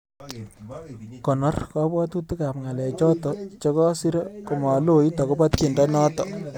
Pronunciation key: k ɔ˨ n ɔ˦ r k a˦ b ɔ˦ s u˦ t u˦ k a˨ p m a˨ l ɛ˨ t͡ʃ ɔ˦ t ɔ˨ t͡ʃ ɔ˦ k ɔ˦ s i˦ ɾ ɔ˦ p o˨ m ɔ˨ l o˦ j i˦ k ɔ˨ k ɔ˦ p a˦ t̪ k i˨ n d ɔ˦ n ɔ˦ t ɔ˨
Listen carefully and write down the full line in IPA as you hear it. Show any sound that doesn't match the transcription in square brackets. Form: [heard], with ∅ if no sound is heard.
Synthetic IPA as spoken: k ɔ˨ n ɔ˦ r k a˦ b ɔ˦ [t] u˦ t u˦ k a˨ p [ŋ] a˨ l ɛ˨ t͡ʃ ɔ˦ t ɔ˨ t͡ʃ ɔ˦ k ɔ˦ s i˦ ɾ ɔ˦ [k] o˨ m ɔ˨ l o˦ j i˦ [t] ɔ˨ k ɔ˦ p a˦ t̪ k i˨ n d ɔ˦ n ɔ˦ t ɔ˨